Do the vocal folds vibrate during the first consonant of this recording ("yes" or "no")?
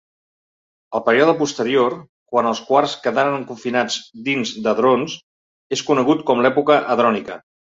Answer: yes